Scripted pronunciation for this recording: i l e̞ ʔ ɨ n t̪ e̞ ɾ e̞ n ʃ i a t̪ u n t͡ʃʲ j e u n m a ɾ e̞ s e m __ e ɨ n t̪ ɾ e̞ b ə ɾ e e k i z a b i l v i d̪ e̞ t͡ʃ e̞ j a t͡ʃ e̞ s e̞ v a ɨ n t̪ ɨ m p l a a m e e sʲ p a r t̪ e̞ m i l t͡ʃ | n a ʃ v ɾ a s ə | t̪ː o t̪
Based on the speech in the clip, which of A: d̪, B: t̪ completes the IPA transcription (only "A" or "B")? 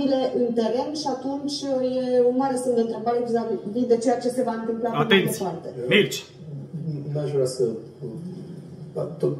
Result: A